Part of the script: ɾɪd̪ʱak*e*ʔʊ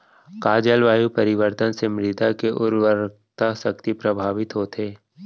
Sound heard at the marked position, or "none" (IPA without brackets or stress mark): e